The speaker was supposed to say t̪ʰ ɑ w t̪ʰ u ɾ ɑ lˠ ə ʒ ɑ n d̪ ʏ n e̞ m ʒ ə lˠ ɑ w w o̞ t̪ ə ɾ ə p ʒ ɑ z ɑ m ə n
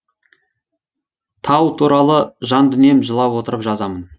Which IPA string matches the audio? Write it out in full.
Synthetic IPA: t̪ʰ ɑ w t̪ʰ u ɾ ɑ lˠ ə ʒ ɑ n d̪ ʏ n e̞ m ʒ ə lˠ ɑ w w o̞ t̪ ə ɾ ə p ʒ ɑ z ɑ m ə n